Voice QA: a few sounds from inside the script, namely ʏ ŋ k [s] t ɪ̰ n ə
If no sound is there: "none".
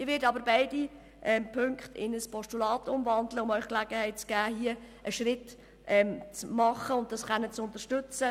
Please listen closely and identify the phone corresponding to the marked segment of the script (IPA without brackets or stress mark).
χ